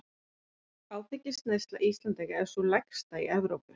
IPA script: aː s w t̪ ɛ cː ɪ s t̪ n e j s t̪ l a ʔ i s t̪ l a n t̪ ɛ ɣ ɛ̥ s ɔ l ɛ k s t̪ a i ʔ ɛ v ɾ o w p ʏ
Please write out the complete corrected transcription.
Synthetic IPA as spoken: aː w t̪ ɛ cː ɪ s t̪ n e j s t̪ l a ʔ i s t̪ l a n t̪ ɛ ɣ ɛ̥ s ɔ l ɛ k s t̪ a i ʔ ɛ v ɾ o w p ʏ